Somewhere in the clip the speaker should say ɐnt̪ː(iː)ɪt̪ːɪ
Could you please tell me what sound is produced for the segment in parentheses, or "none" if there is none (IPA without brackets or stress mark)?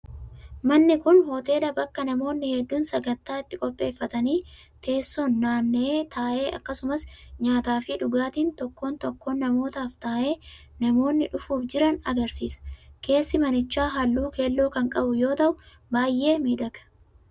aː